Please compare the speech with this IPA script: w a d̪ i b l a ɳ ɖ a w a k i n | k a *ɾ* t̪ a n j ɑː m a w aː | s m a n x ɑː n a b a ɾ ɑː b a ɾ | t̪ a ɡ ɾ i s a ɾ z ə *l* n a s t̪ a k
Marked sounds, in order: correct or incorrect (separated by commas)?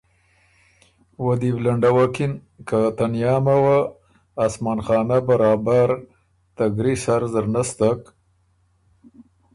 incorrect, incorrect